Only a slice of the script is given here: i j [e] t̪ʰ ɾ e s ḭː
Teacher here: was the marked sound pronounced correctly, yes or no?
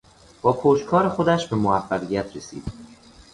no